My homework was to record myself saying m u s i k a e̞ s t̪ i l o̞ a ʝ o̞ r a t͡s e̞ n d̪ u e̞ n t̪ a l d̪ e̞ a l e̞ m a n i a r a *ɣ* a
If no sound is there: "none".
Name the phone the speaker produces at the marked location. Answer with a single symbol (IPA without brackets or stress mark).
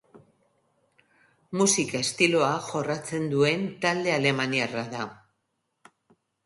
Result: ð